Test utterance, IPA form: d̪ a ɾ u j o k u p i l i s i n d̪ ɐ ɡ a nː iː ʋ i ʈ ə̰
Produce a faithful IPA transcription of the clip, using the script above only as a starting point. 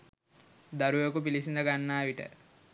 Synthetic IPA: d̪ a ɾ u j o k u p i l i s i n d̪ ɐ ɡ a nː aː ʋ i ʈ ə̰